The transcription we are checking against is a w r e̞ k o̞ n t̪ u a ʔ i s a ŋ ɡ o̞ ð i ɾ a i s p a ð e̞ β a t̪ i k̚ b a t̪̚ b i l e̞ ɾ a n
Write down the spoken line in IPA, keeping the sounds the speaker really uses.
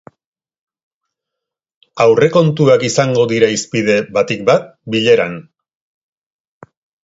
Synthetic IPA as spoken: a w r e̞ k o̞ n t̪ u a k i s a ŋ ɡ o̞ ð i ɾ a i s p i ð e̞ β a t̪ i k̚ b a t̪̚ b i ʎ e̞ ɾ a n